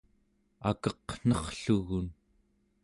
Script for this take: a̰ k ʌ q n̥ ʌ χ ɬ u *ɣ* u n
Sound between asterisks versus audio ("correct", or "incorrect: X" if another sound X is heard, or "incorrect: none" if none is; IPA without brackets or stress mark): correct